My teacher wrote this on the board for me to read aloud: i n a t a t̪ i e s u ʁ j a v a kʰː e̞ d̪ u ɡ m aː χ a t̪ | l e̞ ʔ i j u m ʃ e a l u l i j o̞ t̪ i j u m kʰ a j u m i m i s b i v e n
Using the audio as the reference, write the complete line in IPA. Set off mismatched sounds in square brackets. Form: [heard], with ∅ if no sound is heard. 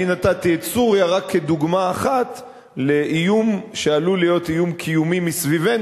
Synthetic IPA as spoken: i n a t a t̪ i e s u ʁ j a [ʁ] a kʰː e̞ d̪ u ɡ m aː χ a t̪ | l e̞ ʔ i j u m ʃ e a l u l i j o̞ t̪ i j u m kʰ [i] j u m i m i s [v] i v e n